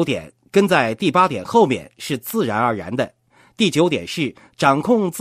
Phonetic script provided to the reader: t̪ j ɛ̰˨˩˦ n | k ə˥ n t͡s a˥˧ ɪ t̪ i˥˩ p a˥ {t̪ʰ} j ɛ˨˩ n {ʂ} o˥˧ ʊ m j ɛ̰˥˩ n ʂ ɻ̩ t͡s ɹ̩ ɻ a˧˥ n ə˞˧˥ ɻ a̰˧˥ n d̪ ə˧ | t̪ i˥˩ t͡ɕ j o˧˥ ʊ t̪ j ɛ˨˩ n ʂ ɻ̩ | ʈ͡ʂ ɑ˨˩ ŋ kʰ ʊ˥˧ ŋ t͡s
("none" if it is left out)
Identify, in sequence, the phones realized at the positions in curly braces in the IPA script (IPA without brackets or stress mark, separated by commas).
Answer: t̪, x